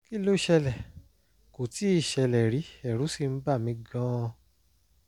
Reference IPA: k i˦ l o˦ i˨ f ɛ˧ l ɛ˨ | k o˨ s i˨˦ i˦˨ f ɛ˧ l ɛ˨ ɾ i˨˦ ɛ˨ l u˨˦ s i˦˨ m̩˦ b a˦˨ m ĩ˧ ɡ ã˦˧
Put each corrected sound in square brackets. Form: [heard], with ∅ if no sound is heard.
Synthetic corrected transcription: k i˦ l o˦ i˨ [ʃ] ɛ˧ l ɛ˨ | k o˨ [t] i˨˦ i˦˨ [ʃ] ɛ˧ l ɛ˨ ɾ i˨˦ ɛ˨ [ɾ] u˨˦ s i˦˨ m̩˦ b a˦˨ m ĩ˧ ɡ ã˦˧